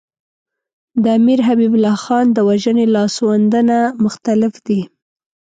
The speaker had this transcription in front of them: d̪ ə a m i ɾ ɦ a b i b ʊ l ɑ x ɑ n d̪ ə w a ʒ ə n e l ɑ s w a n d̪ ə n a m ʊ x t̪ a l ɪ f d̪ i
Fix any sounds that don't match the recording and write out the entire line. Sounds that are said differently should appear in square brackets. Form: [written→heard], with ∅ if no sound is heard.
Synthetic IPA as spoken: d̪ ə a m i ɾ ɦ a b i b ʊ l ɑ x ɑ n d̪ ə w a ʒ ə n e l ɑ s w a n d̪ ə n a m ʊ x t̪ a l ɪ f d̪ i